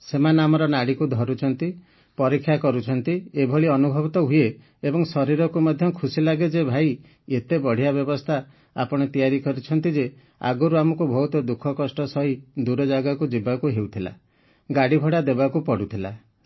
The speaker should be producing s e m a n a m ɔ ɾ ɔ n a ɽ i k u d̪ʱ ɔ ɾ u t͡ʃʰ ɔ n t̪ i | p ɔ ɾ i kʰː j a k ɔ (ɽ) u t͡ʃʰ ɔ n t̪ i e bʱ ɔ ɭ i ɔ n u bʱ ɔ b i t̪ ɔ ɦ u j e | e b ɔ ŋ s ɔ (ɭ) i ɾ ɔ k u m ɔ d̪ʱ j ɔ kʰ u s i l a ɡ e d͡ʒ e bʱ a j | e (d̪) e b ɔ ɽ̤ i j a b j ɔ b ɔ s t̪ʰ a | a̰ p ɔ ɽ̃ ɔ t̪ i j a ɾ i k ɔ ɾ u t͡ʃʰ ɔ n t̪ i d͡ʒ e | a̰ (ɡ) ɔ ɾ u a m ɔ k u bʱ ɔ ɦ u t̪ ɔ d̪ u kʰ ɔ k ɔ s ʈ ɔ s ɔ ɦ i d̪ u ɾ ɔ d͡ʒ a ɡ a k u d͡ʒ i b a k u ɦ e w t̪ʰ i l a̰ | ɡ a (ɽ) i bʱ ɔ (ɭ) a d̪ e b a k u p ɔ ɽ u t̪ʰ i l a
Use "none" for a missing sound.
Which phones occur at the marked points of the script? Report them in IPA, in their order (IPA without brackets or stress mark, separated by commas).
ɾ, ɾ, t̪, ɡ, ɽ, ɽ